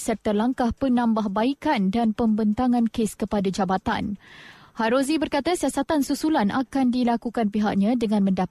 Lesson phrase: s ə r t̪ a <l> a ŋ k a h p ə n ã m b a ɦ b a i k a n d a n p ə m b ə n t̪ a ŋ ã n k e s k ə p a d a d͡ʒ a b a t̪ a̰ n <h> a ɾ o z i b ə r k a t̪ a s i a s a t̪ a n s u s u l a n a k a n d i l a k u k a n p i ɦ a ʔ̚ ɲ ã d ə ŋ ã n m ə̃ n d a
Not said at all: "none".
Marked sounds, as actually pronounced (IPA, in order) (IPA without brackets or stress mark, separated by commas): l, h